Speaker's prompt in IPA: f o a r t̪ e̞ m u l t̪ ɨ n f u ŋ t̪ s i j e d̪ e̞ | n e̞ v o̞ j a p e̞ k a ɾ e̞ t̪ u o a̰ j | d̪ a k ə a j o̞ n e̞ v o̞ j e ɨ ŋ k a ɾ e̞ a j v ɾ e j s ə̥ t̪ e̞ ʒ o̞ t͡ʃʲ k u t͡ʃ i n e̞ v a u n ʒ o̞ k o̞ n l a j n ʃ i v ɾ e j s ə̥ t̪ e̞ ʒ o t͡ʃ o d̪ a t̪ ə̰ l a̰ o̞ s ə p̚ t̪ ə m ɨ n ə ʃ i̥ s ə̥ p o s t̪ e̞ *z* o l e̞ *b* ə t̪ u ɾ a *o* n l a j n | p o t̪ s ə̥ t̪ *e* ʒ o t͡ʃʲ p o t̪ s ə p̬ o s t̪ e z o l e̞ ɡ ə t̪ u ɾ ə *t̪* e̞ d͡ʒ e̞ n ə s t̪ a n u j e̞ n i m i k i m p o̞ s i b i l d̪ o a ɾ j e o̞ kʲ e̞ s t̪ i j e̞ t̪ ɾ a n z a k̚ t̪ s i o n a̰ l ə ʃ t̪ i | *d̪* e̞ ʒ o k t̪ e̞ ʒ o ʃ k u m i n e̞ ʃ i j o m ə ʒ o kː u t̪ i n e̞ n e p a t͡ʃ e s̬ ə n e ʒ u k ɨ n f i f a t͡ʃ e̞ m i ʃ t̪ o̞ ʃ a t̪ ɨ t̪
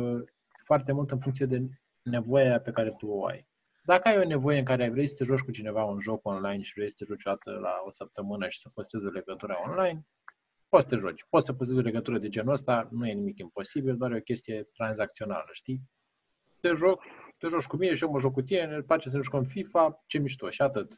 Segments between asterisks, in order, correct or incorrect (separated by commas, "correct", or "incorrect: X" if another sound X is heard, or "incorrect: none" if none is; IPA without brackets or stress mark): correct, incorrect: ɡ, correct, correct, incorrect: d̪, incorrect: t̪